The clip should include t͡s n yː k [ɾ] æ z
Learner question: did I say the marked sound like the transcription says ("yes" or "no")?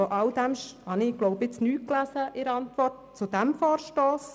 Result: no